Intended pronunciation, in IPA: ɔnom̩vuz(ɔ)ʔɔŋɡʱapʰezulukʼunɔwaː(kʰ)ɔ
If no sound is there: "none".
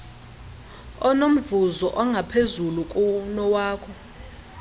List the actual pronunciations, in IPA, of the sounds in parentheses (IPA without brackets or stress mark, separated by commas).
ɔ, kʰ